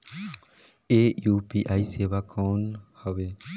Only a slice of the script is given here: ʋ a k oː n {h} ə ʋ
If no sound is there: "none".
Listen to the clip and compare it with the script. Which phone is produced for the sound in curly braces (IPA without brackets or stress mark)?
h